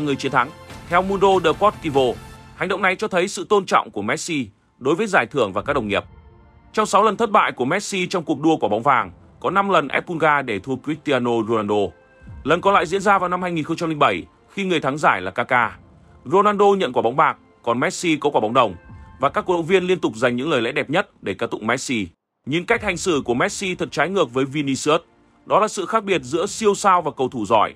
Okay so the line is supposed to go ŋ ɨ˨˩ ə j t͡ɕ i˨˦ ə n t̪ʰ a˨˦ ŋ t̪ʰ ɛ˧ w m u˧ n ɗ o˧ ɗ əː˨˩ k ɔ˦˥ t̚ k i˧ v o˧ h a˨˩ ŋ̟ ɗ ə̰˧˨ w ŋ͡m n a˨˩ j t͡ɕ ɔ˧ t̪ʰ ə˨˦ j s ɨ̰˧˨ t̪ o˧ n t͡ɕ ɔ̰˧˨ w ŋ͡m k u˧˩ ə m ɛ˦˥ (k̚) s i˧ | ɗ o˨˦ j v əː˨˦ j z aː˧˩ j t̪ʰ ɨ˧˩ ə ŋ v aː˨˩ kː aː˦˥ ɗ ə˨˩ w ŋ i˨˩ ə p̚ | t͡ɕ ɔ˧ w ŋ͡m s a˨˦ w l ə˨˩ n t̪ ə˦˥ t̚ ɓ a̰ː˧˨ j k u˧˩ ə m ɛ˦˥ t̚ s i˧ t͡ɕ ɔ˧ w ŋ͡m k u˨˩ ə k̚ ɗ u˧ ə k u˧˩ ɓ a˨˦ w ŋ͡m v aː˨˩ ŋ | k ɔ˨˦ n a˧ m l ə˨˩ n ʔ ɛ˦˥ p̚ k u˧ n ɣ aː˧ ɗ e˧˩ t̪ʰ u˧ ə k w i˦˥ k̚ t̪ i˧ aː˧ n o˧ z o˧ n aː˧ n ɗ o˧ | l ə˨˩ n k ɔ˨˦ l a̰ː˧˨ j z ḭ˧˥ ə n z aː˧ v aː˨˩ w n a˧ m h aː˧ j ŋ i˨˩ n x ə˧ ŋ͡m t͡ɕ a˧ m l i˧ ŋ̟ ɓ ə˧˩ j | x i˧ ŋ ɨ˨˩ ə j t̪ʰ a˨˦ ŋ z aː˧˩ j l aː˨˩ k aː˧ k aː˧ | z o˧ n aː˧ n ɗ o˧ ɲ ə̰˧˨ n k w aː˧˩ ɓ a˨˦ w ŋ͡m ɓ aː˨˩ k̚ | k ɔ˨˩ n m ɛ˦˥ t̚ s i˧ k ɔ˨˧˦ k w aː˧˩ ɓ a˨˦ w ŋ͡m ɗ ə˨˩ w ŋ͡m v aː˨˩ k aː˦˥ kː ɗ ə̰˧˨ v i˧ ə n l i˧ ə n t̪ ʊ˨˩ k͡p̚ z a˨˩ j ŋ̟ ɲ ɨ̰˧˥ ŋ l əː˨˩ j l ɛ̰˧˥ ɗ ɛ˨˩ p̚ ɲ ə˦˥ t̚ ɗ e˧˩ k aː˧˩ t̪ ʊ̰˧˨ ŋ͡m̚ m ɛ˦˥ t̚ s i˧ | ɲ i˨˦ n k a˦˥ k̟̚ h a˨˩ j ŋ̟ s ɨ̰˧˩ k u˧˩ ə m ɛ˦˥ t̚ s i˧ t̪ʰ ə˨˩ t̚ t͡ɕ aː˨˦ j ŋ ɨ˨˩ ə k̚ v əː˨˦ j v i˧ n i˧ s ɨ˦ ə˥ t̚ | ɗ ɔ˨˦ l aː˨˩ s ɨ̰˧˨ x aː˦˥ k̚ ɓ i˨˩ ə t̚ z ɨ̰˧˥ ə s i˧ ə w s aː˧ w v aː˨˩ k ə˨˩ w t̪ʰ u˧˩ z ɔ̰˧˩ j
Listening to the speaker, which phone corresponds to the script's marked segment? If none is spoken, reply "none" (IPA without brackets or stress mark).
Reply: t̚